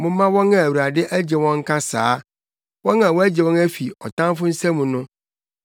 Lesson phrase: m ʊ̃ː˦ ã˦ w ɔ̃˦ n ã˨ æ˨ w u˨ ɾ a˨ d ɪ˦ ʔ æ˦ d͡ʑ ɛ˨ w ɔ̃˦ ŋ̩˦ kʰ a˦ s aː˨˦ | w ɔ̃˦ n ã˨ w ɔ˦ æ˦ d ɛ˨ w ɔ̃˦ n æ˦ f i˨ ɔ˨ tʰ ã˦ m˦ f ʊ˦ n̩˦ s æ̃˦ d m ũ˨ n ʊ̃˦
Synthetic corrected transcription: m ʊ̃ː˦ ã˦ w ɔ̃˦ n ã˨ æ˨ w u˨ ɾ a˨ d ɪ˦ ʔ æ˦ d͡ʑ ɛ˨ w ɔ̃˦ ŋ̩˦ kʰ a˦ s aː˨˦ | w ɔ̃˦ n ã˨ w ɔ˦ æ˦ d͡ʑ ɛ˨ w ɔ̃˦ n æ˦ f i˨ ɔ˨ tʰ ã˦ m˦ f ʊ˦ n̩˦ s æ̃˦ m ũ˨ n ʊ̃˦